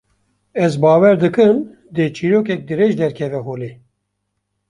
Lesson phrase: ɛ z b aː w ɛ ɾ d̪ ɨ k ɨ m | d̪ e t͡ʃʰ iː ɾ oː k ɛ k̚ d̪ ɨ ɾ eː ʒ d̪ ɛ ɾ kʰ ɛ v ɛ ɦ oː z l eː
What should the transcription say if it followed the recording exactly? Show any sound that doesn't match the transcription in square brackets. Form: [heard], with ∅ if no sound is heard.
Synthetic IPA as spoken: ɛ z b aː w ɛ ɾ d̪ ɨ k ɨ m | d̪ e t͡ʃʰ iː ɾ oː k ɛ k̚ d̪ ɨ ɾ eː ʒ d̪ ɛ ɾ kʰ ɛ v ɛ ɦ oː [∅] l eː